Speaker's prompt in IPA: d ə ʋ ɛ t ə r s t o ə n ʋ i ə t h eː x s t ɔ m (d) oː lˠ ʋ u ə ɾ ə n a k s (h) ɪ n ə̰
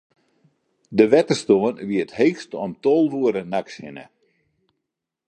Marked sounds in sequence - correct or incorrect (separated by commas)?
incorrect, correct